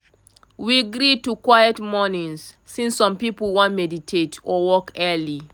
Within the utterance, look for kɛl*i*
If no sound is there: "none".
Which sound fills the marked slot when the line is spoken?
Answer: i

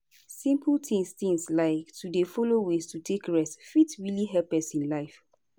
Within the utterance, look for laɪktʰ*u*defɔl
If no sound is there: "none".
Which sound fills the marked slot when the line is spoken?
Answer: u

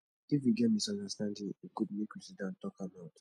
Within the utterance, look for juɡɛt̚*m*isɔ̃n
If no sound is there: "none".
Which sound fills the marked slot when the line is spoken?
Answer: m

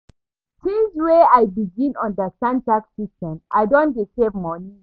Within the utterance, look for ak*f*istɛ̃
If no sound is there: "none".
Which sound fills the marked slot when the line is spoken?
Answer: s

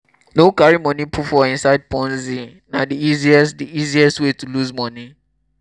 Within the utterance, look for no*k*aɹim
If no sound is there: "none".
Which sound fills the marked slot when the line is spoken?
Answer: k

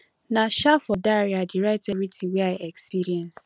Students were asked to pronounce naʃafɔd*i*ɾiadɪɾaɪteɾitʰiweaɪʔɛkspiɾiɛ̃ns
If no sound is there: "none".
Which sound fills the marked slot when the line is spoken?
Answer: a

